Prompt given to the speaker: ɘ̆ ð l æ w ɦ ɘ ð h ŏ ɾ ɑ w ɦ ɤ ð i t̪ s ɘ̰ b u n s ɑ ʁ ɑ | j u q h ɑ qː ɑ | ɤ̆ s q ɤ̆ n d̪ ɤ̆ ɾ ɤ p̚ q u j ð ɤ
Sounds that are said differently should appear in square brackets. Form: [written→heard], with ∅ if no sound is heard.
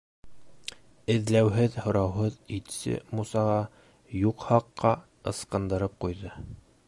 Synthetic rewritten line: ɘ̆ ð l æ w ɦ ɘ ð h ŏ ɾ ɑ w ɦ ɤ ð i t̪ s ɘ̰ [b→m] u [n→∅] s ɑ ʁ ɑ | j u q h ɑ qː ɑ | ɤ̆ s q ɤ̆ n d̪ ɤ̆ ɾ ɤ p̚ q u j ð ɤ